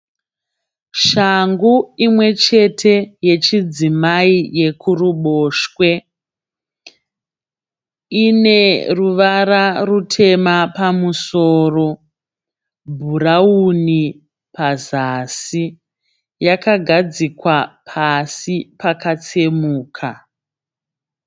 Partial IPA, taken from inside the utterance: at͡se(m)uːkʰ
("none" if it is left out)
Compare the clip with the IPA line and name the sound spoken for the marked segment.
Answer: m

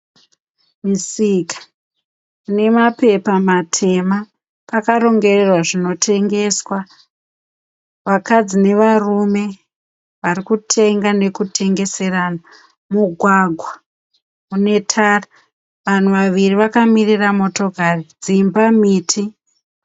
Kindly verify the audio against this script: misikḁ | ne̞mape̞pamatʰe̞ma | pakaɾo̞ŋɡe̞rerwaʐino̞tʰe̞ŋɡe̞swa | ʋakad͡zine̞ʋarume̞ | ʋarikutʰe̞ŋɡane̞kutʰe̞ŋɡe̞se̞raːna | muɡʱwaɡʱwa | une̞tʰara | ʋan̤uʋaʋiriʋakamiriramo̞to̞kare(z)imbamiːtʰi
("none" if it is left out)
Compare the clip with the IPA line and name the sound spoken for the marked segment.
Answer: d͡z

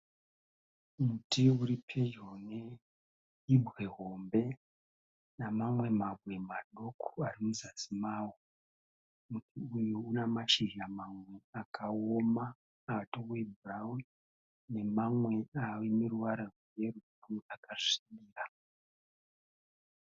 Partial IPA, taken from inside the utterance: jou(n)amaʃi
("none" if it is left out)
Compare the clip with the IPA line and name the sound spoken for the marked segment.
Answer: n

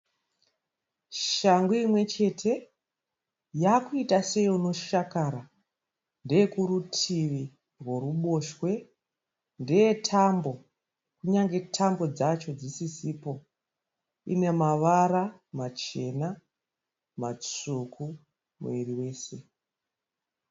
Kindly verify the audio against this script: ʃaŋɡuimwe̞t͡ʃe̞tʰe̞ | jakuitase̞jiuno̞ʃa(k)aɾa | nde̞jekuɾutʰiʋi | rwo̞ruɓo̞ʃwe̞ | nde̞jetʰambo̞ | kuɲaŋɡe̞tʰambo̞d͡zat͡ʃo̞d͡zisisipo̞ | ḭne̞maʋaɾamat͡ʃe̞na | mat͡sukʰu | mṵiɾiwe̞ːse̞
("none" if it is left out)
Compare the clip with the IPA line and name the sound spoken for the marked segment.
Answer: k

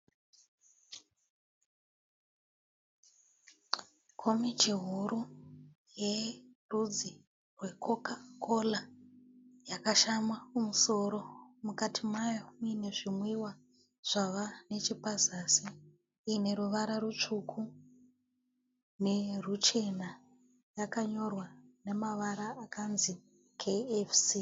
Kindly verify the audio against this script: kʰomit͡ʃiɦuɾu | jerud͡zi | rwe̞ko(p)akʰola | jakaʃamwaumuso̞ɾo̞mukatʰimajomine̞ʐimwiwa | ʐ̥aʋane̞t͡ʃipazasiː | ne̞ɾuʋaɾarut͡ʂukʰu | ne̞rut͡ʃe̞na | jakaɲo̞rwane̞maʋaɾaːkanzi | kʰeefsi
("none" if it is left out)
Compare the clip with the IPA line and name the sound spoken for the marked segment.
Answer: k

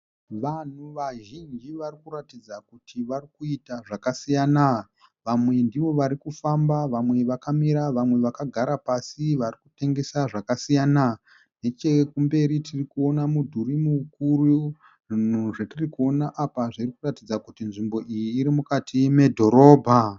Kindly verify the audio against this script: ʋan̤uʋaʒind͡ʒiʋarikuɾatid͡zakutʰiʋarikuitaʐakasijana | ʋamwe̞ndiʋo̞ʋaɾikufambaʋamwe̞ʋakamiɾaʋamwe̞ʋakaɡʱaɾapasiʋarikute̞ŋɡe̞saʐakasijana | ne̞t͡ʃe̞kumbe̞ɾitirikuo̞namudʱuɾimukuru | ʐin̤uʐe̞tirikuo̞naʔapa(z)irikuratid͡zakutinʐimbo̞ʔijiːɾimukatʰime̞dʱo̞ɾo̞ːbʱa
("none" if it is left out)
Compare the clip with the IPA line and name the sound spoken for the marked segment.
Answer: ʐ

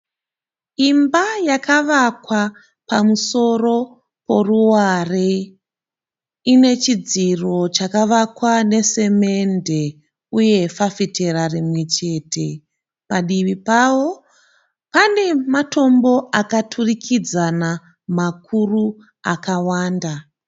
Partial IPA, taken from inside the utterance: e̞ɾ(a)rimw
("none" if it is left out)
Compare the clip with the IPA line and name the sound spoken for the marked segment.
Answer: a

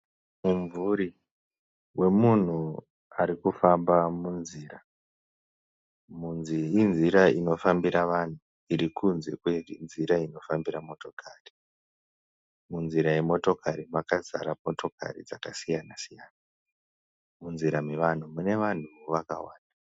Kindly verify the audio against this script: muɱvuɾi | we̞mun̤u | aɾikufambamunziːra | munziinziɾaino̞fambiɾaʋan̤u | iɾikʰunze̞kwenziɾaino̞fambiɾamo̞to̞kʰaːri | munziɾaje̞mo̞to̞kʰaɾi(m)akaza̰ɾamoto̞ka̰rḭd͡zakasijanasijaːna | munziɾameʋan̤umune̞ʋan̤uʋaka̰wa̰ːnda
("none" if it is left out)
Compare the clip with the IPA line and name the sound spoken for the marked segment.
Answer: m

